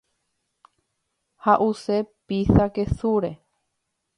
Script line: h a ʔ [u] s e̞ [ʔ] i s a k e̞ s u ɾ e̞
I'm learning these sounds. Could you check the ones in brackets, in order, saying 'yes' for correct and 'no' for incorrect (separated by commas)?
yes, no